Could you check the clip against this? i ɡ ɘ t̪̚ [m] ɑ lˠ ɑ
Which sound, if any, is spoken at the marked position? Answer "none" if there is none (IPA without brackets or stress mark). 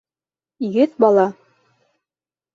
b